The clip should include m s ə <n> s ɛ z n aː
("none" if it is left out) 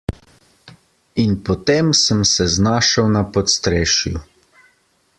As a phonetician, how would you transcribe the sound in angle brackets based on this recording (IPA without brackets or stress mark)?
m